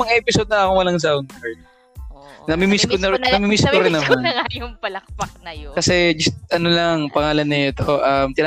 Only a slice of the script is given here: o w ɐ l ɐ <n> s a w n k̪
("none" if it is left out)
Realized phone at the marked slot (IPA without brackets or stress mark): ŋ